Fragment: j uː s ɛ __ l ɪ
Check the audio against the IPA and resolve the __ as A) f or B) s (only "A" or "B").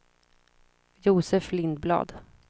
A